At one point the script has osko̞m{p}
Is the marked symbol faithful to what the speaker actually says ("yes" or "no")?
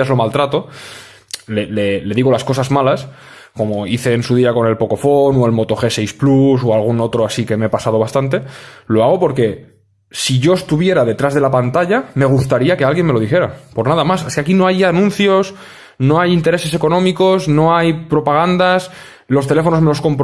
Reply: yes